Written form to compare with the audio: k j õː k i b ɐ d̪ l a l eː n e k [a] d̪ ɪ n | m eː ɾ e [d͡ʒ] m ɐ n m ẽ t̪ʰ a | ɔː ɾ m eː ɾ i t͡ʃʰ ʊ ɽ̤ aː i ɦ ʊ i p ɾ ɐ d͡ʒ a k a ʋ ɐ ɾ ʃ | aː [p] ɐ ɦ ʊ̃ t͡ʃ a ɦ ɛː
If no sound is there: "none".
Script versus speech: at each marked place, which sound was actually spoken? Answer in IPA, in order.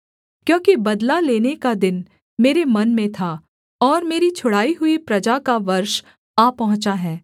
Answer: a, none, p

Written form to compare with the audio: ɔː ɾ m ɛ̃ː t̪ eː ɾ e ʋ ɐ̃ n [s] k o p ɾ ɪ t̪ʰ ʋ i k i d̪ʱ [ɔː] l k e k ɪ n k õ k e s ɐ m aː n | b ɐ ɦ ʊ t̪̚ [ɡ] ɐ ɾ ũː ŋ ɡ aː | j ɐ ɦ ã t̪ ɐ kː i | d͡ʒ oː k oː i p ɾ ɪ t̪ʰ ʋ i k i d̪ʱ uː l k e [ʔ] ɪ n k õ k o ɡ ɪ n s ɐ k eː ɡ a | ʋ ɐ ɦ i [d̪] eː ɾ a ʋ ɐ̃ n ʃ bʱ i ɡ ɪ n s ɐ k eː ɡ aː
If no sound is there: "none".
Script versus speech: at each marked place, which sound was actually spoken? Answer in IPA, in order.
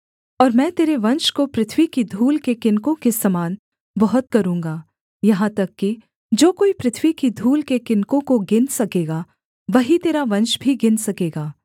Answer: ʃ, uː, k, k, t̪

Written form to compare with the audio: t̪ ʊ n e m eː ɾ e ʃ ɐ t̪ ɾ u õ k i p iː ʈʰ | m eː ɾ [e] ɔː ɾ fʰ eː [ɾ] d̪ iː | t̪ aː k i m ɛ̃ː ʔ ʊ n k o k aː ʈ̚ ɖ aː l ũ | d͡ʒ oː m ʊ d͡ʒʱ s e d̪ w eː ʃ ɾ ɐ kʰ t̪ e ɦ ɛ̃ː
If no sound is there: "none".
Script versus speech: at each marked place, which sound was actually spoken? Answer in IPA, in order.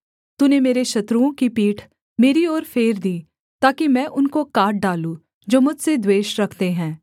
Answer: i, ɾ

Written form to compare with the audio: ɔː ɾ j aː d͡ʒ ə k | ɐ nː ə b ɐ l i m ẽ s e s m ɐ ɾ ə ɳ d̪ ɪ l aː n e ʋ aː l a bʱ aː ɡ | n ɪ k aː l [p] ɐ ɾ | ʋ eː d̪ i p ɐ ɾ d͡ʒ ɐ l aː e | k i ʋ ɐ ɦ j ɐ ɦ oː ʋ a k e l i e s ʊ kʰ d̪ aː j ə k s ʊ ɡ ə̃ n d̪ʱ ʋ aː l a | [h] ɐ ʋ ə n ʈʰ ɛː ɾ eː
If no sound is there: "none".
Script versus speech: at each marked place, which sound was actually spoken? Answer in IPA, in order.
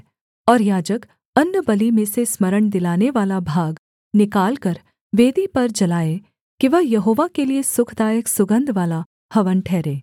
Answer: k, h

